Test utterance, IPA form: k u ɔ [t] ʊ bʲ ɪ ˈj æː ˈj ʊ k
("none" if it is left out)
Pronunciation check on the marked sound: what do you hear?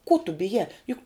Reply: t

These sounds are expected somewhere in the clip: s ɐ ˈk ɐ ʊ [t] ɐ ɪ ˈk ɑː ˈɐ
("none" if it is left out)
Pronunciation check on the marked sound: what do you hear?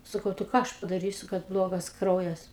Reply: t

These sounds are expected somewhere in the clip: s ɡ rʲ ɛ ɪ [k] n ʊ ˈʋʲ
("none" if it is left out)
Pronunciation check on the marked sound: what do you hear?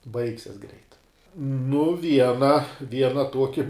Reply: t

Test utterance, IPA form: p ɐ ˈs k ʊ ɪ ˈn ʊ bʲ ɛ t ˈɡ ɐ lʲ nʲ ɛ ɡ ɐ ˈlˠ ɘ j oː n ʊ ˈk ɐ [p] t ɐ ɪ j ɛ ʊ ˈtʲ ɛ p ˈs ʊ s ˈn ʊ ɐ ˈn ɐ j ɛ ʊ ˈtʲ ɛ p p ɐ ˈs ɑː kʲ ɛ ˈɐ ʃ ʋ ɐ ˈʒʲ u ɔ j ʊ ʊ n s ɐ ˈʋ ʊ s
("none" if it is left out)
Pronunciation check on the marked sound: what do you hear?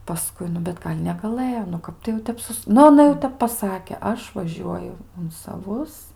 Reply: p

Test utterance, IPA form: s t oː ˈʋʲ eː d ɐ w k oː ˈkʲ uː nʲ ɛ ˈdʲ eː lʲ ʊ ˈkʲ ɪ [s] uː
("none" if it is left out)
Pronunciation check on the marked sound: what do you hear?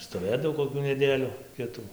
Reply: t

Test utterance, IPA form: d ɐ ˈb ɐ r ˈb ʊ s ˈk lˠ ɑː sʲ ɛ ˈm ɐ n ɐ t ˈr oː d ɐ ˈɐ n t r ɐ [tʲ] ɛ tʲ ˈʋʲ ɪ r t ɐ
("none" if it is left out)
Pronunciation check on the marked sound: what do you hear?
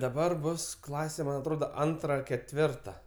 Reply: kʲ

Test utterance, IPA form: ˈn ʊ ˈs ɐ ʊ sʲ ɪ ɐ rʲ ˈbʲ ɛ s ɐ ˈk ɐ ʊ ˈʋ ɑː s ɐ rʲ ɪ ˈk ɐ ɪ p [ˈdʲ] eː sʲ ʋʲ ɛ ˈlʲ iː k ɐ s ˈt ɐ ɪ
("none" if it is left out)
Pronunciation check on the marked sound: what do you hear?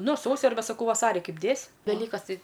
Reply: dʲ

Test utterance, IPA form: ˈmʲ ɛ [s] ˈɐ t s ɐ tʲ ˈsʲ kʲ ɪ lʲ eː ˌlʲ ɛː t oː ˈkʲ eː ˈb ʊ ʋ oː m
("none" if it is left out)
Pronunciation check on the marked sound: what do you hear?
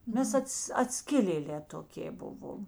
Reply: s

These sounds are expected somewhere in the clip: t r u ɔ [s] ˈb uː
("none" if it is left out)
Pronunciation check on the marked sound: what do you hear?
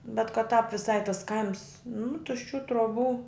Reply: none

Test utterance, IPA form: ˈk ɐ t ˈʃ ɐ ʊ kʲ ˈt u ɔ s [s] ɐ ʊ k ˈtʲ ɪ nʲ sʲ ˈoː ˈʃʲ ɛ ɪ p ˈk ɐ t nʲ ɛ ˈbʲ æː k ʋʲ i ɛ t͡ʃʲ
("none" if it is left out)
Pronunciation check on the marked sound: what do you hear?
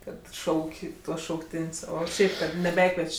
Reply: ʃ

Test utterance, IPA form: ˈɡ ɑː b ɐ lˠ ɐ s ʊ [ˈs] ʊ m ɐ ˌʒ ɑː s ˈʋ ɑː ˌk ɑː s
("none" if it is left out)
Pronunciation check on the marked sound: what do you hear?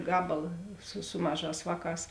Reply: s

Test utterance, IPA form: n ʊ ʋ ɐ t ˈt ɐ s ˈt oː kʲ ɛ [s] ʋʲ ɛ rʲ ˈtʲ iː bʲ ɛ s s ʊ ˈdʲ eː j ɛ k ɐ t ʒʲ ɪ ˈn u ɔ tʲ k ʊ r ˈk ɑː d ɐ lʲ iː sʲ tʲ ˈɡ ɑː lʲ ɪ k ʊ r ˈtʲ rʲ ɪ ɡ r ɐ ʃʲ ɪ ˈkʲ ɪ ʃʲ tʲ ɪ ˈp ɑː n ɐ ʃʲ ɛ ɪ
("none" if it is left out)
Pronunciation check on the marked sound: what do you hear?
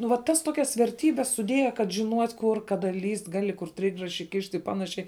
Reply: s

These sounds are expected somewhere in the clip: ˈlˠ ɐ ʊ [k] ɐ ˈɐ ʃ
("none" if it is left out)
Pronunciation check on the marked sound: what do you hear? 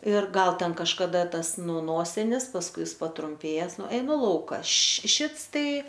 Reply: k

